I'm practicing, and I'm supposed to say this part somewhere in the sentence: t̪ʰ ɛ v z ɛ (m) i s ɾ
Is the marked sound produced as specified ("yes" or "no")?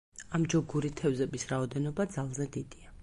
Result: no